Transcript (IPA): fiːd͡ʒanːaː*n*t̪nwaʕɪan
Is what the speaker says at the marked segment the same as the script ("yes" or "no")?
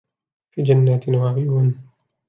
no